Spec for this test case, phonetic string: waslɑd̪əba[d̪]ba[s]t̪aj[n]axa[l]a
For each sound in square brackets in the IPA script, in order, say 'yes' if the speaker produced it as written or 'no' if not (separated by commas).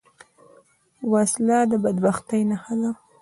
yes, no, yes, yes